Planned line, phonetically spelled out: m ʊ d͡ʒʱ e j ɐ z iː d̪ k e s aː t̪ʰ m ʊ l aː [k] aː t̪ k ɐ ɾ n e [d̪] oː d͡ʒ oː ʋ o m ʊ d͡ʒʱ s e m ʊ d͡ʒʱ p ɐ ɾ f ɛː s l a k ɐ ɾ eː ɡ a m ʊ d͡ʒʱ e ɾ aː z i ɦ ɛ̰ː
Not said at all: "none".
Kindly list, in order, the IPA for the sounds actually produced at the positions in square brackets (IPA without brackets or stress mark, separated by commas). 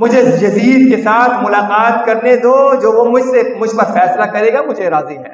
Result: q, d̪